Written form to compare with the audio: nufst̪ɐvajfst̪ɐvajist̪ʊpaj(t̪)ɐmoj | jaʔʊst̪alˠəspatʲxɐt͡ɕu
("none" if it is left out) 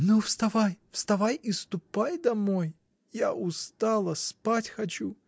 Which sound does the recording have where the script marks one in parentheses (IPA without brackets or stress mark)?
d̪